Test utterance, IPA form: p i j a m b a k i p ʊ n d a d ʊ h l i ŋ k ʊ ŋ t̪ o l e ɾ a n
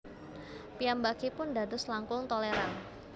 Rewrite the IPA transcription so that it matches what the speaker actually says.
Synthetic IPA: p i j a m b a k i p ʊ n d a d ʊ s l a ŋ k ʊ ŋ t̪ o l e ɾ a n

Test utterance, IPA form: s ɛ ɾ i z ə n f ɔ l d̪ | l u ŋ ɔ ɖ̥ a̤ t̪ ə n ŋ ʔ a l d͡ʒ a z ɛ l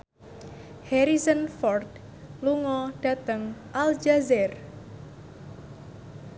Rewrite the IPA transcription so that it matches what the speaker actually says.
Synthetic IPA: h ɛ ɾ i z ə n f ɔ r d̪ | l u ŋ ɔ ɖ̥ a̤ t̪ ə ŋ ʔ a l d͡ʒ a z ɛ r

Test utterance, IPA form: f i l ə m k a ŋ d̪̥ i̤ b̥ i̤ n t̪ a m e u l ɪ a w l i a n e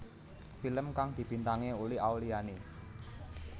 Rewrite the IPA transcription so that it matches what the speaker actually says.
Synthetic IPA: f i l ə m k a ŋ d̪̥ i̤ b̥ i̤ n t̪ a ŋ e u l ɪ a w l i a n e

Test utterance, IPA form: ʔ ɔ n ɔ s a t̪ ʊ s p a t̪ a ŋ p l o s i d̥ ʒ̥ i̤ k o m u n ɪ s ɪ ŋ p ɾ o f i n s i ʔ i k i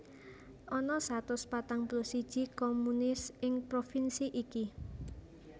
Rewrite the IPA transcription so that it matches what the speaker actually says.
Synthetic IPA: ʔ ɔ n ɔ s a t̪ ʊ s p a t̪ a ŋ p l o s i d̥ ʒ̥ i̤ k o m u n ɪ s ɪ ŋ p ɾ o f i n s i ʔ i k i

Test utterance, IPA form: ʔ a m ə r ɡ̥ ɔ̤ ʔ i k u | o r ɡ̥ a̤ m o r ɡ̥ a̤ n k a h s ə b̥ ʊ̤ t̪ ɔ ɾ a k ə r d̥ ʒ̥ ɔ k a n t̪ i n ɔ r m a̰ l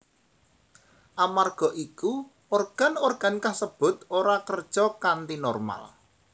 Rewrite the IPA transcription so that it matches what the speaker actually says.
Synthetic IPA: ʔ a m a r ɡ̥ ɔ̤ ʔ i k u | o r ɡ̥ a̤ n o r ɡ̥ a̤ n k a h s ə b̥ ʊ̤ t̪ o ɾ a k ə r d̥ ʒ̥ ɔ k a n t̪ i n ɔ r m a̰ l

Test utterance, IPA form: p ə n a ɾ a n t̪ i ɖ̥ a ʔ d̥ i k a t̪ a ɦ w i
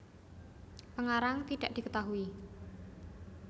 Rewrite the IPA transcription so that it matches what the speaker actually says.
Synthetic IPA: p ə ŋ a ɾ a ŋ t̪ i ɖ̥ a ʔ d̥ i k ə t̪ a ɦ u i

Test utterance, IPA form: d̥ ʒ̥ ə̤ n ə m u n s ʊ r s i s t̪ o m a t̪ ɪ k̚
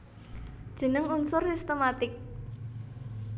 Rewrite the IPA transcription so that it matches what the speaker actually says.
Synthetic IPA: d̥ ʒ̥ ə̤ n ə ŋ u n s ʊ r s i s t̪ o m a t̪ ɪ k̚

